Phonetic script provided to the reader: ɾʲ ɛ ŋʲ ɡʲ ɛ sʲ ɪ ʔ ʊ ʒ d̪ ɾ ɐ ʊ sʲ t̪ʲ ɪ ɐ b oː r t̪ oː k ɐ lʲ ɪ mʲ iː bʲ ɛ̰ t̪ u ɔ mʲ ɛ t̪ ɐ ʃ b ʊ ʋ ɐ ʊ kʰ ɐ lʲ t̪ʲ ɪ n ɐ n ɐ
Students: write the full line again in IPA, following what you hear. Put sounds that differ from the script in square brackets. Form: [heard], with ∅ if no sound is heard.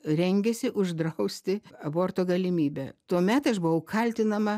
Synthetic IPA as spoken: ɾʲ ɛ ŋʲ ɡʲ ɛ sʲ ɪ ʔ ʊ ʒ d̪ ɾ ɐ ʊ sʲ t̪ʲ ɪ ɐ b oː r t̪ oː [ɡ] ɐ lʲ ɪ mʲ iː bʲ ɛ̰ t̪ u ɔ mʲ ɛ t̪ ɐ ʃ b ʊ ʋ ɐ ʊ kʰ ɐ lʲ t̪ʲ ɪ n ɐ [m] ɐ